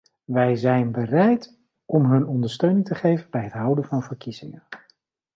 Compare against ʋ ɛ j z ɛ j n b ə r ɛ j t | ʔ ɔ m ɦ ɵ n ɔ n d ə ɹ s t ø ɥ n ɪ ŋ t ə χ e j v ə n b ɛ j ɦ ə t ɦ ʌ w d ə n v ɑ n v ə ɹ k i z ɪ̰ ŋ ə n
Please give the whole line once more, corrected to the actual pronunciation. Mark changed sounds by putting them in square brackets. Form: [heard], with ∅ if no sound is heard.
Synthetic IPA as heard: ʋ ɛ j z ɛ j n b ə r ɛ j t | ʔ ɔ m ɦ ɵ n ɔ n d ə ɹ s t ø ɥ n ɪ ŋ t ə χ e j v ə n b ɛ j ɦ ə t ɦ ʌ w d ə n v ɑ n v ə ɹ k i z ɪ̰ ŋ ə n